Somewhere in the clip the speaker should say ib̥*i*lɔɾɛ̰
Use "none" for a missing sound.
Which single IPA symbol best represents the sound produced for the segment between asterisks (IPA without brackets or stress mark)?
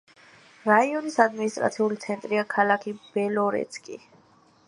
ɛ